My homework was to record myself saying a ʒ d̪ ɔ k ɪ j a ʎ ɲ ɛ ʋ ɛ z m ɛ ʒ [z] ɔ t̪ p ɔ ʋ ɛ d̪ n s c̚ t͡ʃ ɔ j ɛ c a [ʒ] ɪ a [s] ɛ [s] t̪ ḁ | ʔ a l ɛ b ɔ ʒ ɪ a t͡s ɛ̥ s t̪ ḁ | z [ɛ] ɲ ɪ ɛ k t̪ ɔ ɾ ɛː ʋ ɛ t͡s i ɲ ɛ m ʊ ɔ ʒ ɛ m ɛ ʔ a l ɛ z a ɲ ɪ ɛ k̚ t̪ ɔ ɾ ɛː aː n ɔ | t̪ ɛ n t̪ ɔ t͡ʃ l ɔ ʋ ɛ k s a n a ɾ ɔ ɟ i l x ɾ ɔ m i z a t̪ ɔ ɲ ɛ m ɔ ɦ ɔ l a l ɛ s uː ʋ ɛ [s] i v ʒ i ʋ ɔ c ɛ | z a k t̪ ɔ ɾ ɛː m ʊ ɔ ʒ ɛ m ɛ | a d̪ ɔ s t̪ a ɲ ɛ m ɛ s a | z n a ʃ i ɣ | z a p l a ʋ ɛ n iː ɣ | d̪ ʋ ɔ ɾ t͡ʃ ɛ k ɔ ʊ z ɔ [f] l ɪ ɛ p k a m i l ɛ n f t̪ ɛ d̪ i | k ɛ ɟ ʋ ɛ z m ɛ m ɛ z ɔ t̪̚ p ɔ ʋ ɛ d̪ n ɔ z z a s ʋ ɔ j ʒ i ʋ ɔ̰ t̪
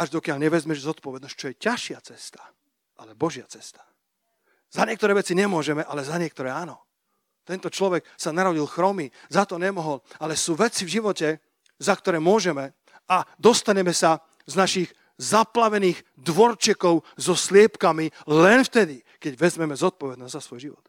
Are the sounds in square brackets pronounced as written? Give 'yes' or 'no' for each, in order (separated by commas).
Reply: yes, no, no, yes, no, no, no